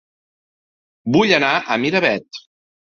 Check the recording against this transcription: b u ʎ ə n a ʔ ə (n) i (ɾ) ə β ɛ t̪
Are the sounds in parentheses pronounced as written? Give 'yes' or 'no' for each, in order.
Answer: no, yes

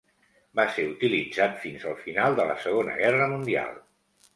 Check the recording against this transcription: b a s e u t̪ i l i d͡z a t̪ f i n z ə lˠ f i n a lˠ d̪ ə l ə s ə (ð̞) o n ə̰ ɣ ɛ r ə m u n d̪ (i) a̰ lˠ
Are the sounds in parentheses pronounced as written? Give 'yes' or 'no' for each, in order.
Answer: no, yes

